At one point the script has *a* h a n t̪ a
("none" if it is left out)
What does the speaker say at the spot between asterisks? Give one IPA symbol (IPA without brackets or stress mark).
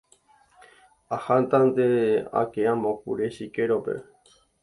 a